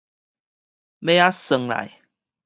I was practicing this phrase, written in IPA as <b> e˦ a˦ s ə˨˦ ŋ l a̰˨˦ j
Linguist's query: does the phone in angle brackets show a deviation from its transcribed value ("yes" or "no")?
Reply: yes